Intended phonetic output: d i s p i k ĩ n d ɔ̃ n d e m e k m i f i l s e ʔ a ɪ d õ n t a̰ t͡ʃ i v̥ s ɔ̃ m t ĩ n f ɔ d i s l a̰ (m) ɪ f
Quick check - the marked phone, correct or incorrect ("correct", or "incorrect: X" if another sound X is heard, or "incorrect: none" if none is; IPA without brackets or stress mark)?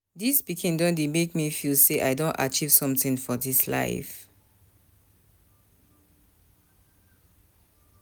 incorrect: none